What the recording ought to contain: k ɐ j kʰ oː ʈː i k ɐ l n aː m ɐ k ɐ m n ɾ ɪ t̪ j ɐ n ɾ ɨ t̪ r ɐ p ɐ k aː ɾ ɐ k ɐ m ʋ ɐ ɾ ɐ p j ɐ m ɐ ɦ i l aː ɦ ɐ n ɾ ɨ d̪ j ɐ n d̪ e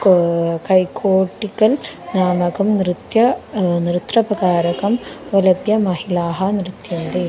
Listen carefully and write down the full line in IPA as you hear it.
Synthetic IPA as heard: k ɐ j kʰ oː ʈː i k ɐ l n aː m ɐ k ɐ m n ɾ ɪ t̪ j ɐ n ɾ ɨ t̪ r ɐ p ɐ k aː ɾ ɐ k ɐ m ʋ ɐ l ɐ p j ɐ m ɐ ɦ i l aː ɦ ɐ n ɾ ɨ t̪ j ɐ n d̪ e

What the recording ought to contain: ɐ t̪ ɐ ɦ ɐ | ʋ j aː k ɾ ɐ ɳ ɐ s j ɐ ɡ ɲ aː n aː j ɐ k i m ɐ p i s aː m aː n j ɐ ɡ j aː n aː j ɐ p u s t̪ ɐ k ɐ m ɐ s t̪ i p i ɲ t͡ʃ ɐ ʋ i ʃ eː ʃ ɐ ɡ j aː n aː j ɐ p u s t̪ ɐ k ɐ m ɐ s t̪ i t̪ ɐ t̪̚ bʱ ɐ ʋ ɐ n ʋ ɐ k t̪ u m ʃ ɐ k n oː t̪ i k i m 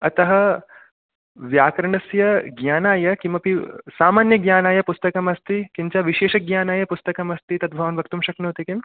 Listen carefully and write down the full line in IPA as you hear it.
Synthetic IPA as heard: ɐ t̪ ɐ ɦ ɐ | ʋ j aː k ɾ ɐ ɳ ɐ s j ɐ ɡ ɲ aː n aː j ɐ k i m ɐ p i s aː m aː n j ɐ ɡ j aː n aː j ɐ p u s t̪ ɐ k ɐ m ɐ s t̪ i k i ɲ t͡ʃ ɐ ʋ i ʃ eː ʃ ɐ ɡ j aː n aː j ɐ p u s t̪ ɐ k ɐ m ɐ s t̪ i t̪ ɐ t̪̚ bʱ ɐ ʋ ɐ n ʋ ɐ k t̪ u m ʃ ɐ k n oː t̪ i k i m

